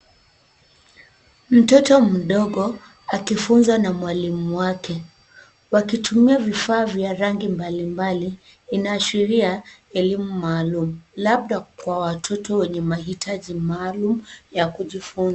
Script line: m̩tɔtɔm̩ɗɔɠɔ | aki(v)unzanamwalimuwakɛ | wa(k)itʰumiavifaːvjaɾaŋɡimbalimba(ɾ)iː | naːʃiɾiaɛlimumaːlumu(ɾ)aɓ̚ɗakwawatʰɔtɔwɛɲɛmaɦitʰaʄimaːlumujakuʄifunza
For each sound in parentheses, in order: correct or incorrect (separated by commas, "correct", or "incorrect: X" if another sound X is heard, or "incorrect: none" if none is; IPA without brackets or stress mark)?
incorrect: f, correct, incorrect: l, incorrect: l